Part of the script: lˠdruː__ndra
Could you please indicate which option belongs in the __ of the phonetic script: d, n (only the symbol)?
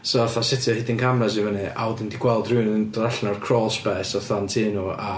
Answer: n